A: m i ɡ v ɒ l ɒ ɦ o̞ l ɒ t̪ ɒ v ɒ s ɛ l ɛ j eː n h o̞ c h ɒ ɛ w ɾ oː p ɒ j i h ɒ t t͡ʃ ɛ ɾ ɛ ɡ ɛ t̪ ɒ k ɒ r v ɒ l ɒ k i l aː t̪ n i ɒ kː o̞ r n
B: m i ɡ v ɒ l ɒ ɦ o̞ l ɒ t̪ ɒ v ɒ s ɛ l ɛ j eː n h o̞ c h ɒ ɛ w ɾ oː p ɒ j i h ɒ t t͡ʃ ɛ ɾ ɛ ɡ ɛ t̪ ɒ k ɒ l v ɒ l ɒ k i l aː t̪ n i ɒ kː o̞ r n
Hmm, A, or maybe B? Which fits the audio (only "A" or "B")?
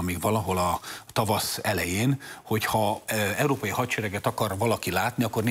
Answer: A